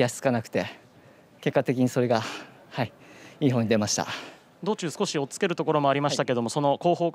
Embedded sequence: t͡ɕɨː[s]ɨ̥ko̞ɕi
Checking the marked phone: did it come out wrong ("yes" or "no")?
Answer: no